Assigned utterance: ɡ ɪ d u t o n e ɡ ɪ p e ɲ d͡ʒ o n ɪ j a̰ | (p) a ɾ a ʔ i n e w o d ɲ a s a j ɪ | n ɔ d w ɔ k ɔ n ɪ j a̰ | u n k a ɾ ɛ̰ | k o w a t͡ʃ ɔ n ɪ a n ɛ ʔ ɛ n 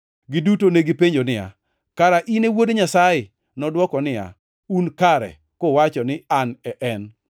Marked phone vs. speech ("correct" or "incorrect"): incorrect